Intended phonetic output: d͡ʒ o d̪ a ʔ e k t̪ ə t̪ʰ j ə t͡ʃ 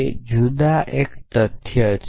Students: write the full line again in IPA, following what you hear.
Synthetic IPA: d͡ʒ u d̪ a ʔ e k t̪ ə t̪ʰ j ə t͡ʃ